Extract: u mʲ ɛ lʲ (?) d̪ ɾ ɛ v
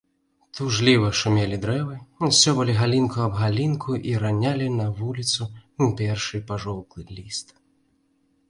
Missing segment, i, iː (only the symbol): i